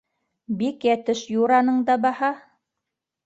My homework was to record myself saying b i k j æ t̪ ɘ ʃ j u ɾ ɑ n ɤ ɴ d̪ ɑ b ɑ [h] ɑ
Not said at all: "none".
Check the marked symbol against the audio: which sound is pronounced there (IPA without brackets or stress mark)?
h